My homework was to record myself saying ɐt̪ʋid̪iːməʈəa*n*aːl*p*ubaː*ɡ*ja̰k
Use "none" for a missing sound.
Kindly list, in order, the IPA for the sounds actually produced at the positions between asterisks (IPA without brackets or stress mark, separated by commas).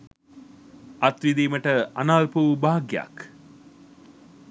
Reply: n, p, ɡ